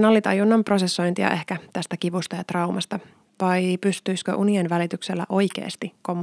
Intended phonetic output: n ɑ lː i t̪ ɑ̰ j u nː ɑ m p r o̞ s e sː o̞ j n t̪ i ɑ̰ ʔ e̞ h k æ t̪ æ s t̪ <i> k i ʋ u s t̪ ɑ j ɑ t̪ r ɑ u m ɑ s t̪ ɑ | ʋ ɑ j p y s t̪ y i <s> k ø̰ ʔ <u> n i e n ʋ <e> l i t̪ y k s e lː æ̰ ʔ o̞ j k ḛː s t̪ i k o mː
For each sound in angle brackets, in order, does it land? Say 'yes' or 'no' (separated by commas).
no, yes, yes, no